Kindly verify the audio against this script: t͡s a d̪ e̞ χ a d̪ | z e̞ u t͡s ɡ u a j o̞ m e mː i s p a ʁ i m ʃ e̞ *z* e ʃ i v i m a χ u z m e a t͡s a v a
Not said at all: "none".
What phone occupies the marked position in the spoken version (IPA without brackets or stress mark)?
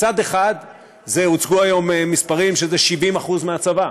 z